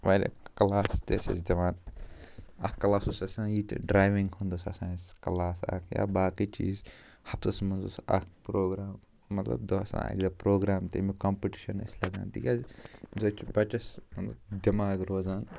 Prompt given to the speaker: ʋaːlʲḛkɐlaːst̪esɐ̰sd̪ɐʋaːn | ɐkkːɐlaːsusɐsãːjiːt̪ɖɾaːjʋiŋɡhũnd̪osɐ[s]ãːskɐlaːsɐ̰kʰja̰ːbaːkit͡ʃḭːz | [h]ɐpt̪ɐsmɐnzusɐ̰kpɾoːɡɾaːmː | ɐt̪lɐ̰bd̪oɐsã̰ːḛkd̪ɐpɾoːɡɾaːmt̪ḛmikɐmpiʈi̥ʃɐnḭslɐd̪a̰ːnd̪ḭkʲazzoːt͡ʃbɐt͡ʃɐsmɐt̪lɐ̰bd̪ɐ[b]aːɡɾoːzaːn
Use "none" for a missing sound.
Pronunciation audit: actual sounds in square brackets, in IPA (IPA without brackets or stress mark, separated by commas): s, h, m